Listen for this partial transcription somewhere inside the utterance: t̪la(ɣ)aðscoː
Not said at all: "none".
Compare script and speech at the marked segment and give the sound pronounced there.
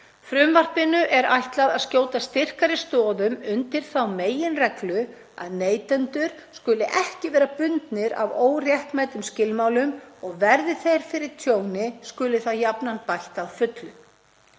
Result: ð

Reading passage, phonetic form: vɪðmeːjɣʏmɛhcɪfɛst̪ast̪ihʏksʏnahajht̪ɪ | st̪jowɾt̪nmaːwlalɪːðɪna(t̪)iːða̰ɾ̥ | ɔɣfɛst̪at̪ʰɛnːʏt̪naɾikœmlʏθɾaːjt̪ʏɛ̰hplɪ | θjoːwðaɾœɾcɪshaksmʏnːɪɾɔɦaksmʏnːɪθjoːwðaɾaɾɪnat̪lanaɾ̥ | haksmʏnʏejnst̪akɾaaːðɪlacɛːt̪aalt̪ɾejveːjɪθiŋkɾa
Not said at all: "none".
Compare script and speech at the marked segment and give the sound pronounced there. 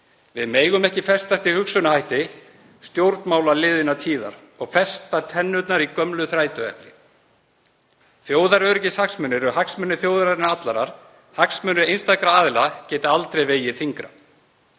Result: t̪ʰ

